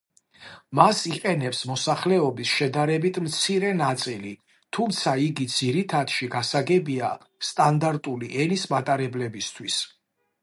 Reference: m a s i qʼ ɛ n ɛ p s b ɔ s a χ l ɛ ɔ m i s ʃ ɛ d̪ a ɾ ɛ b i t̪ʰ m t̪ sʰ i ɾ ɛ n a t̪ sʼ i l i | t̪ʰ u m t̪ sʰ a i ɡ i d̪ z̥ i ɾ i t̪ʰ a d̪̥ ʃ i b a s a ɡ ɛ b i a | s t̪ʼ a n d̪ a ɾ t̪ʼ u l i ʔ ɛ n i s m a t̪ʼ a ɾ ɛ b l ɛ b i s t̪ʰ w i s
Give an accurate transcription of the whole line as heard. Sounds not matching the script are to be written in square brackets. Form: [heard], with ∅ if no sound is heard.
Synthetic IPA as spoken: m a s i qʼ ɛ n ɛ p s [m] ɔ s a χ l ɛ ɔ [b] i s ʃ ɛ d̪ a ɾ ɛ b i t̪ʰ m t̪ sʰ i ɾ ɛ n a t̪ sʼ i l i | t̪ʰ u m t̪ sʰ a i ɡ i d̪ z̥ i ɾ i t̪ʰ a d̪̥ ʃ i [ɡ] a s a ɡ ɛ b i a | s t̪ʼ a n d̪ a ɾ t̪ʼ u l i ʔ ɛ n i s m a t̪ʼ a ɾ ɛ b l ɛ b i s t̪ʰ w i s

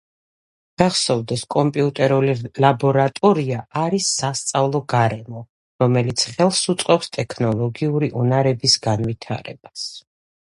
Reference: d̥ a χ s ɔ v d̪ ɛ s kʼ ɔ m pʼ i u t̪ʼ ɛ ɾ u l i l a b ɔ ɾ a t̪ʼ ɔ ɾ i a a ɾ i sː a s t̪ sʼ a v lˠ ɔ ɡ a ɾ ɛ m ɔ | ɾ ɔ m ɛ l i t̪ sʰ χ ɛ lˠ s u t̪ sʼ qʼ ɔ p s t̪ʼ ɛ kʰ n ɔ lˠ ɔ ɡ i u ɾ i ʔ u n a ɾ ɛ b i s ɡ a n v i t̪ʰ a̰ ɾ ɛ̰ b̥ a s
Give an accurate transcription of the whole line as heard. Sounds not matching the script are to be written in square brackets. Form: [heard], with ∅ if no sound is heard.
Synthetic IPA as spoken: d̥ a χ s ɔ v d̪ ɛ s kʼ ɔ m pʼ i u t̪ʼ ɛ ɾ u l i l a b ɔ ɾ a t̪ʼ ɔ ɾ i a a ɾ i sː a s t̪ sʼ a v lˠ ɔ ɡ a ɾ ɛ m ɔ | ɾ ɔ m ɛ l i t̪ sʰ χ ɛ lˠ s u t̪ sʼ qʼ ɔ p s t̪ʼ ɛ kʰ n ɔ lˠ ɔ ɡ i u ɾ i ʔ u n a ɾ ɛ b i s ɡ a n v i t̪ʰ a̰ ɾ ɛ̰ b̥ a s

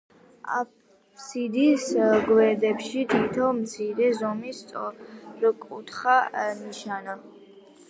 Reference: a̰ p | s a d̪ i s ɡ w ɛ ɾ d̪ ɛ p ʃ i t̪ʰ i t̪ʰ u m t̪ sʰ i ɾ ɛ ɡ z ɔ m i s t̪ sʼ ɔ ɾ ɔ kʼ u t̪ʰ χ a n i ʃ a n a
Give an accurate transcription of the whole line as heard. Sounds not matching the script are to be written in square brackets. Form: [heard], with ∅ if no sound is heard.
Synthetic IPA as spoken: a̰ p | s [i] d̪ i s ɡ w ɛ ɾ d̪ ɛ p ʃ i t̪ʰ i t̪ʰ [ɔ] m t̪ sʰ i ɾ ɛ [∅] z ɔ m i s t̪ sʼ ɔ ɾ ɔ kʼ u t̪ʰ χ a n i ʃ a n a

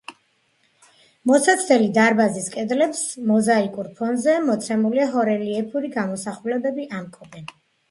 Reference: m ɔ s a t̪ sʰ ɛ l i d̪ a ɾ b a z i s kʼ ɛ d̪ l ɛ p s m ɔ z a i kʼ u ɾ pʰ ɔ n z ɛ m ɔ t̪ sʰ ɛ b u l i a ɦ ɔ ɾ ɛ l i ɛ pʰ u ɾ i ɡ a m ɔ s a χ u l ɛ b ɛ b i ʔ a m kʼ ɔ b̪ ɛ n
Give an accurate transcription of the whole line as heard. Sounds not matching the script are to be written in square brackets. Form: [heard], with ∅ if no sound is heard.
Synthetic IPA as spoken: m ɔ s a t̪ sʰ ɛ l i d̪ a ɾ b a z i s kʼ ɛ d̪ l ɛ p s m ɔ z a i kʼ u ɾ pʰ ɔ n z ɛ m ɔ t̪ sʰ ɛ [m] u l i a ɦ ɔ ɾ ɛ l i ɛ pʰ u ɾ i ɡ a m ɔ s a χ u l ɛ b ɛ b i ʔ a m kʼ ɔ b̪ ɛ n

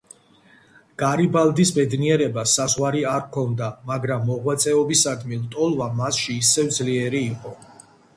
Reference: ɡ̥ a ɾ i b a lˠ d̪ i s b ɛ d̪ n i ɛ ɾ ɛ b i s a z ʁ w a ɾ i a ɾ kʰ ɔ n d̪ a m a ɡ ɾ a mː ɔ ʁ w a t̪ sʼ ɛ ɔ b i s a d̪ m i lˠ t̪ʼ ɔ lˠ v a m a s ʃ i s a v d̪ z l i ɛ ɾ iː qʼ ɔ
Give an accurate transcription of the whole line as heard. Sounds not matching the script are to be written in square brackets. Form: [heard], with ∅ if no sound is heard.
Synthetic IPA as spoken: ɡ̥ a ɾ i b a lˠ d̪ i s b ɛ d̪ n i ɛ ɾ ɛ b [a] s a z ʁ w a ɾ i a ɾ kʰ ɔ n d̪ a m a ɡ ɾ a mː ɔ ʁ w a t̪ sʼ ɛ ɔ b i s a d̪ m i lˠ t̪ʼ ɔ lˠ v a m a s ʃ [iː] s [ɛ] v d̪ z l i ɛ ɾ iː qʼ ɔ

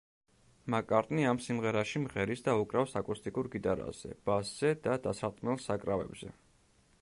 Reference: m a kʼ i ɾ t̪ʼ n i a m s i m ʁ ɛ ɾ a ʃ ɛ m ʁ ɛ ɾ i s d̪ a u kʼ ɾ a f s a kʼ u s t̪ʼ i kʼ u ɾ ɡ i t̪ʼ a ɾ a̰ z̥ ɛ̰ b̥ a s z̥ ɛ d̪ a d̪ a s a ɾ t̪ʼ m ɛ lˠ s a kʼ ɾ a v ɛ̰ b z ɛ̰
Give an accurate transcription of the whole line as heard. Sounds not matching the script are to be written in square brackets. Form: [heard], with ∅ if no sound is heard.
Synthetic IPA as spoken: m a kʼ [a] ɾ t̪ʼ n i a m s i m ʁ ɛ ɾ a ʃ [i] m ʁ ɛ ɾ i s d̪ a u kʼ ɾ a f s a kʼ u s t̪ʼ i kʼ u ɾ ɡ i t̪ʼ a ɾ a̰ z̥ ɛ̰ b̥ a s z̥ ɛ d̪ a d̪ a s a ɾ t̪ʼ m ɛ lˠ s a kʼ ɾ a v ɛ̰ b z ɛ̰

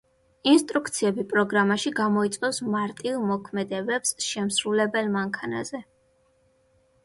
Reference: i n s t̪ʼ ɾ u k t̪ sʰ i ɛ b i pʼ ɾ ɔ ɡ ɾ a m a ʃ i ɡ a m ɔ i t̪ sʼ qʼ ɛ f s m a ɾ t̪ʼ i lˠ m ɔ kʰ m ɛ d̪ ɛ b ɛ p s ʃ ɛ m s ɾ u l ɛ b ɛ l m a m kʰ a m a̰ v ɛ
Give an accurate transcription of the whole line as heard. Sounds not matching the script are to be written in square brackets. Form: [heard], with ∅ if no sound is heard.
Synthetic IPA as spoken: i n s t̪ʼ ɾ u k t̪ sʰ i ɛ b i pʼ ɾ ɔ ɡ ɾ a m a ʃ i ɡ a m ɔ i t̪ sʼ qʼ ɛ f s m a ɾ t̪ʼ i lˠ m ɔ kʰ m ɛ d̪ ɛ b ɛ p s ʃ ɛ m s ɾ u l ɛ b ɛ l m a [ŋ] kʰ a [n] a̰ [z] ɛ

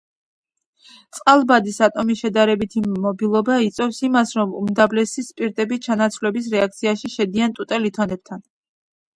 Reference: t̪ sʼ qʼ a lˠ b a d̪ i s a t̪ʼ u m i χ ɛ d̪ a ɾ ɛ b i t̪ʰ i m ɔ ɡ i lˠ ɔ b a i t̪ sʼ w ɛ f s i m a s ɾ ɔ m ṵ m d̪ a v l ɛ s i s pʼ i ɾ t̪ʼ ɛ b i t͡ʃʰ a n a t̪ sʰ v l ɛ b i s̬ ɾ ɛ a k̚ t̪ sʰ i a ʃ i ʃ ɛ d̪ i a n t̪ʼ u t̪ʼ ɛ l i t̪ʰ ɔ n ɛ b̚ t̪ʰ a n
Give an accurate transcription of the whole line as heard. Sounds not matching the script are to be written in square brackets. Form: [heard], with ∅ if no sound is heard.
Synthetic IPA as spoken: t̪ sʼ qʼ a lˠ b a d̪ i s a t̪ʼ [ɔ] m i [ʃ] ɛ d̪ a ɾ ɛ b i t̪ʰ i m ɔ [b] i lˠ ɔ b a i t̪ sʼ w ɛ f s i m a s ɾ ɔ m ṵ m d̪ a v l ɛ s i s pʼ i ɾ t̪ʼ ɛ b i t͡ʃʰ a n a t̪ sʰ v l ɛ b i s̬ ɾ ɛ a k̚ t̪ sʰ i a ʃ i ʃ ɛ d̪ i a n t̪ʼ u t̪ʼ ɛ l i t̪ʰ ɔ n ɛ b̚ t̪ʰ a n

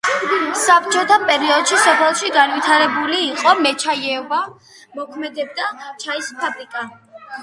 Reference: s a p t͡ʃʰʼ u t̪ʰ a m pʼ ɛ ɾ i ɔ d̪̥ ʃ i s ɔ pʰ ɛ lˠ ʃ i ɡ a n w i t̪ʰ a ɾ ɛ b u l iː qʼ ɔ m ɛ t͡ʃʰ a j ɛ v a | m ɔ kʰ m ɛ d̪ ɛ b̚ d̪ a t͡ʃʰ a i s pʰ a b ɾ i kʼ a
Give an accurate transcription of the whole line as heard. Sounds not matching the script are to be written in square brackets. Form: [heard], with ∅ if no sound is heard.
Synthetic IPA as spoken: s a p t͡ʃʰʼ [ɔ] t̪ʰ a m pʼ ɛ ɾ i ɔ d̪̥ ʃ i s ɔ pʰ ɛ lˠ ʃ i ɡ a n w i t̪ʰ a ɾ ɛ b u l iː qʼ ɔ m ɛ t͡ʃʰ a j ɛ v a | m ɔ kʰ m ɛ d̪ ɛ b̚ d̪ a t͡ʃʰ a i s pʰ a b ɾ i kʼ a

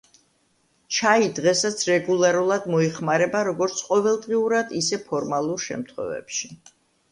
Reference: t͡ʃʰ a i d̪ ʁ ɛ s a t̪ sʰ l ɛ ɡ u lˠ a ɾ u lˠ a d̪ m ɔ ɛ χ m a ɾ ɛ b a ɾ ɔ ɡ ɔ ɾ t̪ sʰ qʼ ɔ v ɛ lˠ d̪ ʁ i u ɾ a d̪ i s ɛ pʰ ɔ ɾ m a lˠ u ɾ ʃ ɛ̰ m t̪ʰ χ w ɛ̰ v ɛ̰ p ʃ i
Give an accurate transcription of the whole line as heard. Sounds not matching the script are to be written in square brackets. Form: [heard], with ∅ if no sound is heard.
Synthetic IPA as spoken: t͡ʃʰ a i d̪ ʁ ɛ s a t̪ sʰ [ɾ] ɛ ɡ u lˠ a ɾ u lˠ a d̪ m ɔ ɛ χ m a ɾ ɛ b a ɾ ɔ ɡ ɔ ɾ t̪ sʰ qʼ ɔ v ɛ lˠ d̪ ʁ i u ɾ a d̪ i s ɛ pʰ ɔ ɾ m a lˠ u ɾ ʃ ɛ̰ m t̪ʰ χ w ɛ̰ v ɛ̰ p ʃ i

